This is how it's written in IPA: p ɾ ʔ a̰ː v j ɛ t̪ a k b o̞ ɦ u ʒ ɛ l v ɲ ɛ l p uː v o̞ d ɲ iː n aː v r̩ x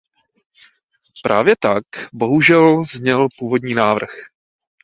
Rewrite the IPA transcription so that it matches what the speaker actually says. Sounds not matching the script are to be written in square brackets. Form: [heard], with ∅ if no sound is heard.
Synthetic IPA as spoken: p ɾ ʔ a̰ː v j ɛ t̪ a k b o̞ ɦ u ʒ ɛ l [z] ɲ ɛ l p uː v o̞ d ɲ iː n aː v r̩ x